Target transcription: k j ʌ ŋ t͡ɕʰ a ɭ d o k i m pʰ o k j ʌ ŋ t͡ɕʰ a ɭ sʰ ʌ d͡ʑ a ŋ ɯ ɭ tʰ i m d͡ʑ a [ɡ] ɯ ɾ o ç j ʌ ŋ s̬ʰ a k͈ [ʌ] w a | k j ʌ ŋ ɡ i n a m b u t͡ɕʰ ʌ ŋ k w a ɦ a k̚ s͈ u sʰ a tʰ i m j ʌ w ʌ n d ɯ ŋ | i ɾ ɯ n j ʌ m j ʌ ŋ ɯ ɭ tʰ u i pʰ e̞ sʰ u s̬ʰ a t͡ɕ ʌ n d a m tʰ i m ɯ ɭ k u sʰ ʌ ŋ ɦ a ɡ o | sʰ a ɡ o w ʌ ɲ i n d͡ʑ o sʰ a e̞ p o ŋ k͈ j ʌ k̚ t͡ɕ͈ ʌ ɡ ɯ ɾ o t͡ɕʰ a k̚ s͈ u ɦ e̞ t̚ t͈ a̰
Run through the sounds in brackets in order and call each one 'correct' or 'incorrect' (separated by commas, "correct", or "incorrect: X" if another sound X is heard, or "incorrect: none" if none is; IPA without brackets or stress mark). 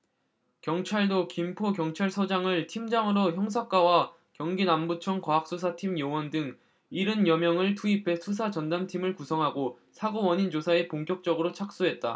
incorrect: ŋ, incorrect: a